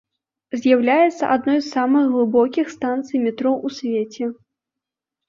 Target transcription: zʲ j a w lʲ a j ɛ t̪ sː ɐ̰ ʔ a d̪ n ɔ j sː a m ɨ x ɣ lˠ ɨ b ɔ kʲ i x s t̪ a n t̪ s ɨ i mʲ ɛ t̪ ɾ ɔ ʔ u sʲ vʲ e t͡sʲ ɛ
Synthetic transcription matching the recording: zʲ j a w lʲ a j ɛ t̪ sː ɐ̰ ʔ a d̪ n ɔ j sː a m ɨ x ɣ lˠ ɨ b ɔ kʲ i x s t̪ a n t̪ s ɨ j mʲ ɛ t̪ ɾ ɔ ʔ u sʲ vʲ e t͡sʲ ɛ